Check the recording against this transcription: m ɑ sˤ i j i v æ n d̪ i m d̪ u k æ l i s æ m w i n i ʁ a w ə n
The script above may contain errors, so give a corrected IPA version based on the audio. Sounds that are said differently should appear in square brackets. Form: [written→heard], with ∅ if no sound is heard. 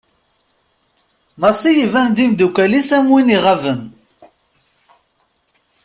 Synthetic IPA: m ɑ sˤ i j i v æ n d̪ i m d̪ u k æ l i s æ m w i n i ʁ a [w→v] ə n